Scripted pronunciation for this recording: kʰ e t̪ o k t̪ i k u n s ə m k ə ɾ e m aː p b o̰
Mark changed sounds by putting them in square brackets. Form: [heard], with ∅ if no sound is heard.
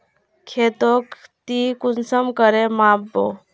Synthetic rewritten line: kʰ e t̪ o k t̪ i k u n s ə m k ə ɾ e m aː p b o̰